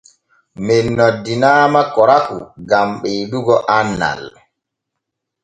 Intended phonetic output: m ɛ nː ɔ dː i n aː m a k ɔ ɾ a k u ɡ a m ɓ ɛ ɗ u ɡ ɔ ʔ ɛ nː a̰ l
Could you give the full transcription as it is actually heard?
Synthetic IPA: m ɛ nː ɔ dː i n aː m a k ɔ ɾ a k u ɡ a m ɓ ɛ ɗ u ɡ ɔ ʔ a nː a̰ l